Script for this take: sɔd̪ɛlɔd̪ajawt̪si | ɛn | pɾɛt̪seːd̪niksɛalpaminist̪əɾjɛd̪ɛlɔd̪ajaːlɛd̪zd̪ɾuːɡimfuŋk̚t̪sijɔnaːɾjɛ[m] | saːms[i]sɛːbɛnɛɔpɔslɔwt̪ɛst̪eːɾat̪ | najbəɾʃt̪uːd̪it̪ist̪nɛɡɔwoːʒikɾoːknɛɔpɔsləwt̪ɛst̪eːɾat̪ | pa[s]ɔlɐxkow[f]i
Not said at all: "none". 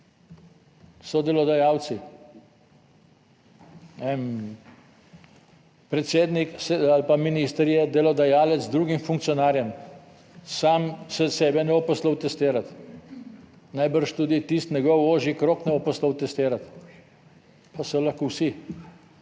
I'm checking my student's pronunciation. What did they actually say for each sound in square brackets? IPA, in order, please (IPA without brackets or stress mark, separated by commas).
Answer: m, ɛ, s, s